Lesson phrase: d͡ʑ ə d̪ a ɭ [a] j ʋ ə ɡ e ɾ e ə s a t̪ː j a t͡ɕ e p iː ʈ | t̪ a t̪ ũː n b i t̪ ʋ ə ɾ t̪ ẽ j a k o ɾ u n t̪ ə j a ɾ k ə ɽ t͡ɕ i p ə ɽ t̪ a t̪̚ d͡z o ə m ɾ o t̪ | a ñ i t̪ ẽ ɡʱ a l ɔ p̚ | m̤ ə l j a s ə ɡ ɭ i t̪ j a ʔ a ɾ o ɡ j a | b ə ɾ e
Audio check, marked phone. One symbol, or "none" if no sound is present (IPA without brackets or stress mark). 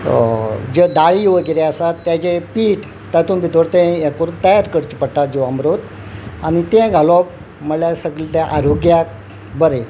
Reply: i